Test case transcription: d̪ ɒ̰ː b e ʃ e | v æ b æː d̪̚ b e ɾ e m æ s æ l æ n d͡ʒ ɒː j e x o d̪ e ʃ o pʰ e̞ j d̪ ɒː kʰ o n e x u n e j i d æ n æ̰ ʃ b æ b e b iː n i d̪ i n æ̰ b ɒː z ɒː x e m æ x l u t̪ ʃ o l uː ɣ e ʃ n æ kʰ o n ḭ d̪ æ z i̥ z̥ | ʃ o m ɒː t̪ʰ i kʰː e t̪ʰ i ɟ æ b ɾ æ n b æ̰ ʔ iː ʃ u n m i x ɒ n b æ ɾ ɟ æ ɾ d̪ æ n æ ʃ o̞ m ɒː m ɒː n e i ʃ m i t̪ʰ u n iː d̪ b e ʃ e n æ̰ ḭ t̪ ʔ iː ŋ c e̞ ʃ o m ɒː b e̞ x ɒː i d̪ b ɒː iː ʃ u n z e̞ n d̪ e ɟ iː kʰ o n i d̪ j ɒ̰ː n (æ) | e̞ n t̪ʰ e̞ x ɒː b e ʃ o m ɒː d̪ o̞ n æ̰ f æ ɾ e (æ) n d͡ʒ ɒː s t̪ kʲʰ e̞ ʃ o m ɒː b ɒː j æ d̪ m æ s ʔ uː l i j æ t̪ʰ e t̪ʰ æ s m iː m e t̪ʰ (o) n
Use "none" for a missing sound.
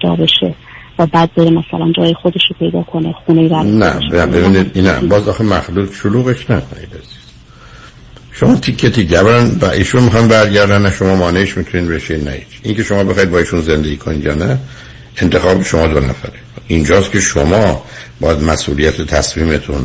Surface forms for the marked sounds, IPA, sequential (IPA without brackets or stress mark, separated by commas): æ, i, u